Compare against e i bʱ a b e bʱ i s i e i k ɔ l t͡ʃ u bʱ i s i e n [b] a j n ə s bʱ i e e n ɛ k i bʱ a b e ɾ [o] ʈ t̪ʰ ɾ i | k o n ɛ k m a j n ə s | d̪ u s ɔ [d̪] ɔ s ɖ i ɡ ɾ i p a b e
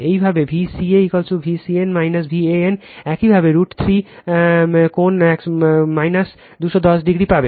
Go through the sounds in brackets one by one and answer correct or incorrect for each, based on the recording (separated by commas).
incorrect, incorrect, correct